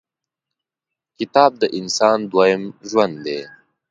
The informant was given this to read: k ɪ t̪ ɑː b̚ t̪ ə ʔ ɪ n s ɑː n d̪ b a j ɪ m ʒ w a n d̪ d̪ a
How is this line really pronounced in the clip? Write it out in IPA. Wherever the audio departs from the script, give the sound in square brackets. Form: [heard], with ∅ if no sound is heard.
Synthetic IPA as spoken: k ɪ t̪ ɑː b̚ [d̪] ə ʔ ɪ n s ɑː n d̪ [w] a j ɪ m ʒ w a n d̪ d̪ [e]